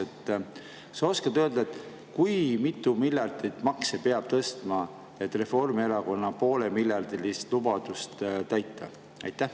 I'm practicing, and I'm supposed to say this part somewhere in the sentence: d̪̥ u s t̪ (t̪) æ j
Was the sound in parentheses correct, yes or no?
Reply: yes